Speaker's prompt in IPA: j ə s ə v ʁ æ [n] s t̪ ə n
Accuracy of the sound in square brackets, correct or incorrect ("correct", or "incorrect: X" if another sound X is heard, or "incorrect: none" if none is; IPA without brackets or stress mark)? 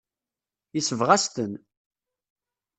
incorrect: none